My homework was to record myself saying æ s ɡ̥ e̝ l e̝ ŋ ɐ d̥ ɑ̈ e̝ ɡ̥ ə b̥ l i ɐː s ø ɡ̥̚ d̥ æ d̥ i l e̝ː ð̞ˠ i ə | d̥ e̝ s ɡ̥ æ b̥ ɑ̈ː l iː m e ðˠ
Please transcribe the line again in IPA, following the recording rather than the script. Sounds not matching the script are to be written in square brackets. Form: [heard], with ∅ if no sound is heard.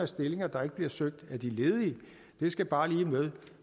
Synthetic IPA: æ s [d̥] e̝ l e̝ ŋ ɐ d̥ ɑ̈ e̝ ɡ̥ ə b̥ l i [ɐ] s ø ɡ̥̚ d̥ æ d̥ i l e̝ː ð̞ˠ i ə | d̥ e̝ s ɡ̥ æ b̥ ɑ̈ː l iː m e ðˠ